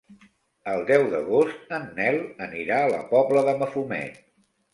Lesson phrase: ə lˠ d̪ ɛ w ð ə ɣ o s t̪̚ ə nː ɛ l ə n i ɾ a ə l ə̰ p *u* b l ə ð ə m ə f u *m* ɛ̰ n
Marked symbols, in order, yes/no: no, yes

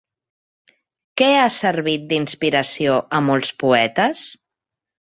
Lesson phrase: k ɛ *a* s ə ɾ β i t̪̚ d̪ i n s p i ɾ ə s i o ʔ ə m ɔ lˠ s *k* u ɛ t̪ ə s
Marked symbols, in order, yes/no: yes, no

